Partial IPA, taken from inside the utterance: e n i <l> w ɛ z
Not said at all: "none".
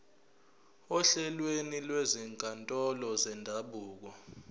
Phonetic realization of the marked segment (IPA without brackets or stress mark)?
l